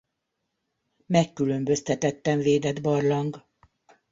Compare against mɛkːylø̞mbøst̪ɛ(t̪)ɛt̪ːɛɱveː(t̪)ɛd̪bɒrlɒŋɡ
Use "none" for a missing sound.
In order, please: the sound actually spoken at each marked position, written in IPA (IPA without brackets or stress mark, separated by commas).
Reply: t̪, d̪